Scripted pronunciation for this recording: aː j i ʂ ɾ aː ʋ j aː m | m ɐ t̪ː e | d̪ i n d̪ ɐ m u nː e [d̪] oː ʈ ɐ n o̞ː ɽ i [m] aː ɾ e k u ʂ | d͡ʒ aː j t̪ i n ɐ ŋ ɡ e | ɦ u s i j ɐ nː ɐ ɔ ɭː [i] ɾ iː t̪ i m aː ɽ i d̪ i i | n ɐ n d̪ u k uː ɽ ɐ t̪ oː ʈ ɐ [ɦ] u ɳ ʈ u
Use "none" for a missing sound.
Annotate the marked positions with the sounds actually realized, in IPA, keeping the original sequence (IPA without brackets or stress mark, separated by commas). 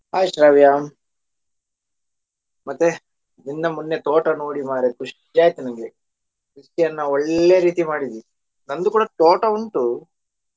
t̪, m, e, none